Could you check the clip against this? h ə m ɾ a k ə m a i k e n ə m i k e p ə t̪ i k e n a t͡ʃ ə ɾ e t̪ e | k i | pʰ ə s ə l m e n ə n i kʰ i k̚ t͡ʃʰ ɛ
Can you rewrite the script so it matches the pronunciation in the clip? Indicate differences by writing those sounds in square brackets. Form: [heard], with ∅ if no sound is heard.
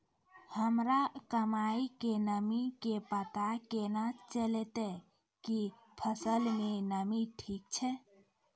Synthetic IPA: h ə m ɾ a k ə m a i k e n ə m i k e p ə t̪ [a] k e n a t͡ʃ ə [l] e t̪ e | k i | pʰ ə s ə l m e n ə [m] i [ʈʰ] i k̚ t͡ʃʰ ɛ